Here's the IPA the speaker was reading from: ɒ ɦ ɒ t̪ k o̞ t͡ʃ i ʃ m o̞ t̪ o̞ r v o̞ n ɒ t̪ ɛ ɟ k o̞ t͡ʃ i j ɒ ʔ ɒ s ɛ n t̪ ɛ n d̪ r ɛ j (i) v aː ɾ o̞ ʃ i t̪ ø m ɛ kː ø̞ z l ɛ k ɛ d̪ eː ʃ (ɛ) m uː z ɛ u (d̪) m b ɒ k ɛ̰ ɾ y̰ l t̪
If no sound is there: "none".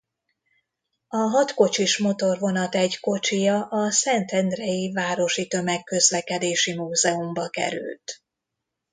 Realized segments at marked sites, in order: i, i, none

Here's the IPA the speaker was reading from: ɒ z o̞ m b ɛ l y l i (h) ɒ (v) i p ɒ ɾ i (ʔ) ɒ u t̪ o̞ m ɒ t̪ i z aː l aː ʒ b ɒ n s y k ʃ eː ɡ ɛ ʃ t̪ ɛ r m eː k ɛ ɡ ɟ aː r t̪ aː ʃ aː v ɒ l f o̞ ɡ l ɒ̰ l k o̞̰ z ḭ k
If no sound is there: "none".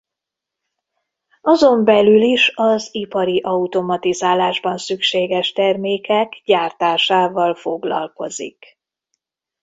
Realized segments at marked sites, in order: ʃ, z, ʔ

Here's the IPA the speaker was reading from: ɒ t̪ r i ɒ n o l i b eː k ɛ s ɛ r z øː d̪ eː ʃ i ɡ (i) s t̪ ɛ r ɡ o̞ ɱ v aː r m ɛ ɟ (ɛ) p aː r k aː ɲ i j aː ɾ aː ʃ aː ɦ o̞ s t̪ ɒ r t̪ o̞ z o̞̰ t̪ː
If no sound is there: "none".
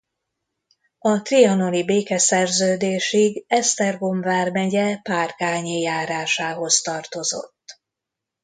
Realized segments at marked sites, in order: ɛ, ɛ

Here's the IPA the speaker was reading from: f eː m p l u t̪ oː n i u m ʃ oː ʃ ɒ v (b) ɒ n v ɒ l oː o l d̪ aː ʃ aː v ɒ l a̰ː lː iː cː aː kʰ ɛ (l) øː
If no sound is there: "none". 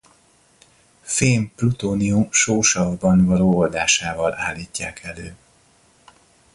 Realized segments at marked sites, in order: b, l

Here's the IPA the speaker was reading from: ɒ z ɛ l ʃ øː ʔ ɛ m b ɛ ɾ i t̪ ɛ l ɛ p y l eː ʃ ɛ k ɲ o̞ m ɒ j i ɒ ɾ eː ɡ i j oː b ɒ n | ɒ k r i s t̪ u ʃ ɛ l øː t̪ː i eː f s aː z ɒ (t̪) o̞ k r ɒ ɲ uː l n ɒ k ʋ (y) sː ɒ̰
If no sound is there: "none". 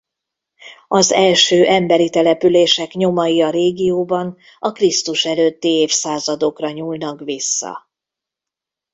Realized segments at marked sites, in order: d̪, i

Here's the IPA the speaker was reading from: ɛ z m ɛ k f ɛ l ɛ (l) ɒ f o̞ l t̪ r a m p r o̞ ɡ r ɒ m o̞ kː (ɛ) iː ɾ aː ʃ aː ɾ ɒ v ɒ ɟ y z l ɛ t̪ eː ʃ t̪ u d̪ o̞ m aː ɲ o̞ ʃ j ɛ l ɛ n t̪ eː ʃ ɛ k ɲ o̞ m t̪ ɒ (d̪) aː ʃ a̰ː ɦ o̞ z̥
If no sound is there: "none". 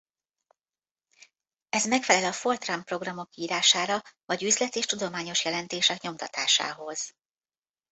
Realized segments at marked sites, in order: l, i, t̪

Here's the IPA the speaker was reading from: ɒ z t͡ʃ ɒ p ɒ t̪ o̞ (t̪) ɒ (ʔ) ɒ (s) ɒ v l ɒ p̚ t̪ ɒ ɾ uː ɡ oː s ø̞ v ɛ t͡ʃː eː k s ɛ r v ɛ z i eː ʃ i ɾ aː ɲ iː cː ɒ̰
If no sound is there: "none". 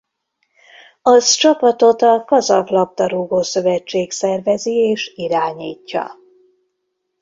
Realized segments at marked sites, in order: t̪, k, z

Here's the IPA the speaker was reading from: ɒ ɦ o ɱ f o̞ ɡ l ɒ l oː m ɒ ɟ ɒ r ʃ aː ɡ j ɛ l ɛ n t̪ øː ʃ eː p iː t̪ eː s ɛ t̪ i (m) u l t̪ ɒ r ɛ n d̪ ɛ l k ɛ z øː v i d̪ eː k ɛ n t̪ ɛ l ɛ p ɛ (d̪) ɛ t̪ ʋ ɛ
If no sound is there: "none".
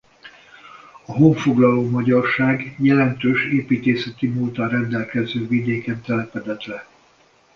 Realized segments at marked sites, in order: m, d̪

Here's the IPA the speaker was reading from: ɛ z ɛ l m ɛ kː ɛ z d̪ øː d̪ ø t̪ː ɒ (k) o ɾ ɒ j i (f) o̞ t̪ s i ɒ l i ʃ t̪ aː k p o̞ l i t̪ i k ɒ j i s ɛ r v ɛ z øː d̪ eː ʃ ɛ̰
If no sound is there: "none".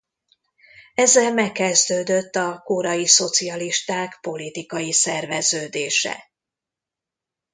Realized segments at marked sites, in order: k, s

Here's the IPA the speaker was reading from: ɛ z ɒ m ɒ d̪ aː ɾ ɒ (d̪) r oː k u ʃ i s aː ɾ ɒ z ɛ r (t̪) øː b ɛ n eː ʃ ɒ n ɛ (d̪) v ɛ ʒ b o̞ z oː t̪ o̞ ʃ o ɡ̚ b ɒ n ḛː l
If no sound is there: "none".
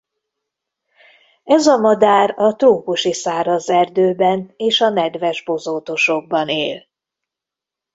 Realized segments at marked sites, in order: t̪, d̪, d̪

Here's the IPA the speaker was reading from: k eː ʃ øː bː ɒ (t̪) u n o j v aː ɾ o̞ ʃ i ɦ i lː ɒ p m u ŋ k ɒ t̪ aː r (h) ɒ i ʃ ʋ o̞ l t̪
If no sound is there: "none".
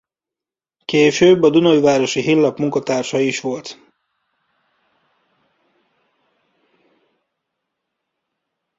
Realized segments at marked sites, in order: d̪, ʃ

